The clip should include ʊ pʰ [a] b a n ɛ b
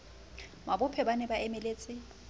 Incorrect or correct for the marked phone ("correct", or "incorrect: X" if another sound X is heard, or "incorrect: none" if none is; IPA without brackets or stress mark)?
incorrect: ɛ